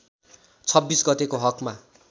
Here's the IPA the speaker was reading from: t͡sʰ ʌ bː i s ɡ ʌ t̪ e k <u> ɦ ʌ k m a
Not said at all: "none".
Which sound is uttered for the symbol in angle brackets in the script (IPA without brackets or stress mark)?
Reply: o